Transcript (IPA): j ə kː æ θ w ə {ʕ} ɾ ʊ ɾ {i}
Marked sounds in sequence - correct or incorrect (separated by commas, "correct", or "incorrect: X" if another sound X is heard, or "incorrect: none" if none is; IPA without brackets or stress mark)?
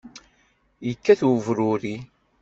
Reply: incorrect: v, correct